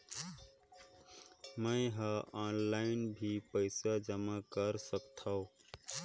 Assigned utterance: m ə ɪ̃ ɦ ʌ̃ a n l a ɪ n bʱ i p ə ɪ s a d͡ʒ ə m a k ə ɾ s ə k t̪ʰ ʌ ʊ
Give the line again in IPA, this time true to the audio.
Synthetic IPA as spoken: m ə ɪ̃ ɦ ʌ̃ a n l a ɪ n bʱ i p ə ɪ s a d͡ʒ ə m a k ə ɾ s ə k t̪ʰ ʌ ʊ